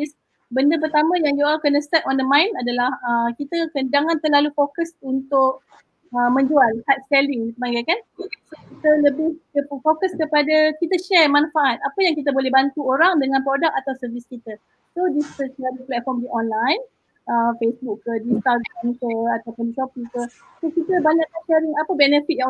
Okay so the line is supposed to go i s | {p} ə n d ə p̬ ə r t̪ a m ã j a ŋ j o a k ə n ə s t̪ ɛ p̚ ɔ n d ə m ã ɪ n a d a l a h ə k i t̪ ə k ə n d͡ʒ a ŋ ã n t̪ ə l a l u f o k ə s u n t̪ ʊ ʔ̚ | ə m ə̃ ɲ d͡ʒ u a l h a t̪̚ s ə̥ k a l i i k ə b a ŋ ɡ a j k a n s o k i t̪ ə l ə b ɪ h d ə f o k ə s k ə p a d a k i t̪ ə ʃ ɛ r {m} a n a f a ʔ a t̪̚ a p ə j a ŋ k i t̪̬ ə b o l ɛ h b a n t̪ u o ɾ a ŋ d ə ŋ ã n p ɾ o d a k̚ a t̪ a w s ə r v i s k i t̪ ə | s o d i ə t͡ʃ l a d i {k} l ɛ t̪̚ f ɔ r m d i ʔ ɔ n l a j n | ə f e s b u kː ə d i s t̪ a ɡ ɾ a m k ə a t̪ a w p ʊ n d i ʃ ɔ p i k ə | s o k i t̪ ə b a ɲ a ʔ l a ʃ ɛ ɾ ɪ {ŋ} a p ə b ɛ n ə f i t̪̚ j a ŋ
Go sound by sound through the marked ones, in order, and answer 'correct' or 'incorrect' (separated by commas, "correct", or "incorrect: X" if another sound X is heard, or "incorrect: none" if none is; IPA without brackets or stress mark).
incorrect: b, correct, incorrect: p, correct